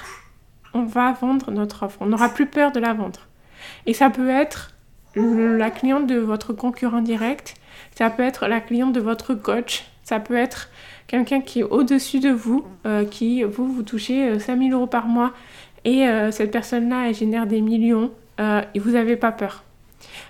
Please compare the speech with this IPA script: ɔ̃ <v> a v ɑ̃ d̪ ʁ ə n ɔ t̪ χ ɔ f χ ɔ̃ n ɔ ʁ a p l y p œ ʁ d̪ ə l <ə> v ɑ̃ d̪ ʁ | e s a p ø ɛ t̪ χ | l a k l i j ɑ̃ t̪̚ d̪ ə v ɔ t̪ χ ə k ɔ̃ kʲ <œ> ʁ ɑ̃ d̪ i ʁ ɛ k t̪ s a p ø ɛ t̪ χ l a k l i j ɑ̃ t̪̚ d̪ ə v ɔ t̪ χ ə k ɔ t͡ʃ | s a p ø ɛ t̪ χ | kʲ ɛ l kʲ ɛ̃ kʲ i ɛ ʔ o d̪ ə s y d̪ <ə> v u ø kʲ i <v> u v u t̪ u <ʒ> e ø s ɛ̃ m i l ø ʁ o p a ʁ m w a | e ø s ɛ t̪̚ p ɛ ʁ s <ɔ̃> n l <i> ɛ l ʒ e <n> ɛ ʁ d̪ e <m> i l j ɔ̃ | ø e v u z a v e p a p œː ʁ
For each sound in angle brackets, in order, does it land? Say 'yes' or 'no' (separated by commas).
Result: yes, no, no, yes, yes, no, no, no, yes, yes